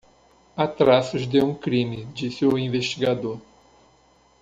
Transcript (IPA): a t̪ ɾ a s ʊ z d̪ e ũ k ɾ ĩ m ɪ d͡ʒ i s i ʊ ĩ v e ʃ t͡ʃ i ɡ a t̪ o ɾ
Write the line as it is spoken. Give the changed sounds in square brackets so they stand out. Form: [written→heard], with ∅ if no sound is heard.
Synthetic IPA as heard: a t̪ ɾ a s ʊ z d̪ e ũ k ɾ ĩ m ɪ d͡ʒ i s [i→ɪ] ʊ ĩ v e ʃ t͡ʃ i ɡ a [t̪→d̪] o ɾ